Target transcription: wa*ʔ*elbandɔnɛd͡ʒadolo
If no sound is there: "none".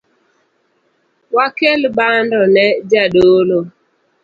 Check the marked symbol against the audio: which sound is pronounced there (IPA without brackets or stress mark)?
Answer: k